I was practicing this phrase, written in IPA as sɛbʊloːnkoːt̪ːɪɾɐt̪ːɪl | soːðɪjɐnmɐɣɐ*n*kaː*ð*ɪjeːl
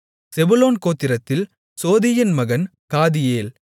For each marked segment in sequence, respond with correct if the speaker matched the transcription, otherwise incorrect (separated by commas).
correct, correct